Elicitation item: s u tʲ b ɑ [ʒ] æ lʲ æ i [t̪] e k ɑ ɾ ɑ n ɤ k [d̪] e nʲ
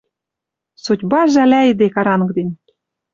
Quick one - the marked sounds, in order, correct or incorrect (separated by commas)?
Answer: correct, incorrect, correct